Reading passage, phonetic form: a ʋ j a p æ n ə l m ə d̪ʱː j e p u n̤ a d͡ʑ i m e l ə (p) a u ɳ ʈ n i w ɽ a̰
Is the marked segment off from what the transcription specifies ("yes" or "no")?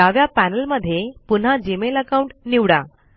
yes